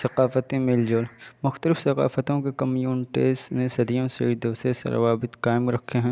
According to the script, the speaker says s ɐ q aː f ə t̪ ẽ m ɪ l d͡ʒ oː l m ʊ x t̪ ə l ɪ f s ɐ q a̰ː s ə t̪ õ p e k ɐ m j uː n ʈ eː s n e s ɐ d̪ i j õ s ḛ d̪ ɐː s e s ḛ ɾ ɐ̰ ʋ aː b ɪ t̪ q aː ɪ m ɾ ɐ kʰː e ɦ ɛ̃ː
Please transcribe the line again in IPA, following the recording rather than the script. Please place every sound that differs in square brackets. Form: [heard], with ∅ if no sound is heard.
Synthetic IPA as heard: s ɐ q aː f ə t̪ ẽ m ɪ l d͡ʒ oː l m ʊ x t̪ ə l ɪ f s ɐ q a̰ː [f] ə t̪ õ [k] e k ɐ m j uː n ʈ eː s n e s ɐ d̪ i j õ s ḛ d̪ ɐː s e s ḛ ɾ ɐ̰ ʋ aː b ɪ t̪ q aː ɪ m ɾ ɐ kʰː e ɦ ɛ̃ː